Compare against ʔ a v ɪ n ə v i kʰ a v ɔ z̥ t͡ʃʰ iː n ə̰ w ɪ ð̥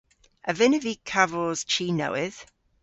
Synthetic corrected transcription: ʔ ə v ɪ n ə v i kʰ a v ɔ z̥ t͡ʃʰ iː n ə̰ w ɪ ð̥